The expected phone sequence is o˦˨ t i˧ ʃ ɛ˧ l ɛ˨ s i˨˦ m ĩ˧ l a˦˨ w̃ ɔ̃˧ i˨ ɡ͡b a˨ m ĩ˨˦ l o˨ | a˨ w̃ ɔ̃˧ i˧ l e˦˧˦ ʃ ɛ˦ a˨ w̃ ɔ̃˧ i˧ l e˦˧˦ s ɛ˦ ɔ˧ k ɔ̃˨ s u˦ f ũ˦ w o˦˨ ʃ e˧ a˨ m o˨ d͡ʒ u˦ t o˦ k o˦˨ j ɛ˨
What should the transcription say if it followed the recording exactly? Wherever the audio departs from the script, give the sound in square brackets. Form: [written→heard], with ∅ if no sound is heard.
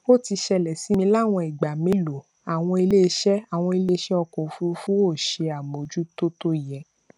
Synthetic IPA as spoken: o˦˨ t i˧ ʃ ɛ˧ l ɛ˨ s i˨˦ m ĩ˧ l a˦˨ w̃ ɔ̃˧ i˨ ɡ͡b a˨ m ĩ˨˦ l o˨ | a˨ w̃ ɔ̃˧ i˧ l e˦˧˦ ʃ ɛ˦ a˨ w̃ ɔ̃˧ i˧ l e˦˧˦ [s→ʃ] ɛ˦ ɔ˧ k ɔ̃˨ [s→f] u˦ f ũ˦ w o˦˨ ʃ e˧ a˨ m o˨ d͡ʒ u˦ t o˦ [k→t] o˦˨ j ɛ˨